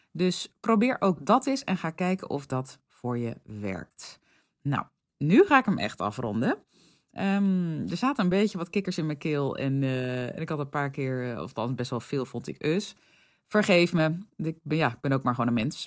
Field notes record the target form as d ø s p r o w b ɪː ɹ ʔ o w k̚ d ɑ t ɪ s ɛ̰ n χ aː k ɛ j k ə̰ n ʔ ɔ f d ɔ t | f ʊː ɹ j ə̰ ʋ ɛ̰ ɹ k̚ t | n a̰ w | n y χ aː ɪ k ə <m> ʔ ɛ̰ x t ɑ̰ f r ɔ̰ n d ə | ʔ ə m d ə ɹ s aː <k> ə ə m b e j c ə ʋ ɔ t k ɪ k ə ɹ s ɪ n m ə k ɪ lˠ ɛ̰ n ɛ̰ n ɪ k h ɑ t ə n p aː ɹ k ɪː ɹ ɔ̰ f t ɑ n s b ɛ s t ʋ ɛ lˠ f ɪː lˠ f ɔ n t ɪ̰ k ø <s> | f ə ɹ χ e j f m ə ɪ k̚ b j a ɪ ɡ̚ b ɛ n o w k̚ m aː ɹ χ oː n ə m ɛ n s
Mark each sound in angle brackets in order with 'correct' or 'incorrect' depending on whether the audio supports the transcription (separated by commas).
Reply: correct, incorrect, correct